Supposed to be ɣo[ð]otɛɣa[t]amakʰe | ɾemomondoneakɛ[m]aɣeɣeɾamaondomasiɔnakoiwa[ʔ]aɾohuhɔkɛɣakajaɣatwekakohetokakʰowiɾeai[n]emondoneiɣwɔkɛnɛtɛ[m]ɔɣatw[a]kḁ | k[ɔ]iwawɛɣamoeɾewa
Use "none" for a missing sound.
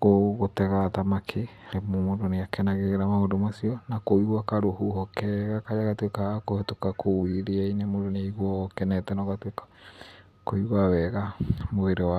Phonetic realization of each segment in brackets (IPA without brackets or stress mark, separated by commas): ɣ, t, n, k, n, n, e, o